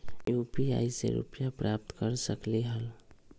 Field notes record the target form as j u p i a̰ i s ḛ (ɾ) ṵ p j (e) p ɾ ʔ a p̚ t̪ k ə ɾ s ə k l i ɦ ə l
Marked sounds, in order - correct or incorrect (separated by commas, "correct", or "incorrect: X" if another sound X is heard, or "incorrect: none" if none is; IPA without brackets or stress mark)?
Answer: correct, incorrect: a